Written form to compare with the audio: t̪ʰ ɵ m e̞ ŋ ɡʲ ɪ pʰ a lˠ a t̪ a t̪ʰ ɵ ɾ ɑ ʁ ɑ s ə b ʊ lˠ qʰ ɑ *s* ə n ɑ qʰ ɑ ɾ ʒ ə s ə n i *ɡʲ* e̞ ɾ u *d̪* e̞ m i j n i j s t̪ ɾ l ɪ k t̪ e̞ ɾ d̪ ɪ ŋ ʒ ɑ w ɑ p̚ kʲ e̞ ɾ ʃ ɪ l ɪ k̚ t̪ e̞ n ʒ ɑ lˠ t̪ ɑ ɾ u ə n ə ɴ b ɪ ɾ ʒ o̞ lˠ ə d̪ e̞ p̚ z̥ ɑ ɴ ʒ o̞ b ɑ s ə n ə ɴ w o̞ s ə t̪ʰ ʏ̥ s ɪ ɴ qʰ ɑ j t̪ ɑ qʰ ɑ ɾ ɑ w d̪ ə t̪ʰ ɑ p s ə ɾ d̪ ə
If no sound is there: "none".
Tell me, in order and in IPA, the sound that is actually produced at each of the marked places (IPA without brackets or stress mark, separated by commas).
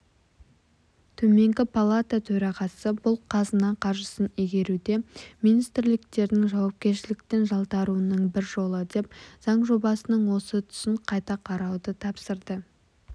z, ɡʲ, d̪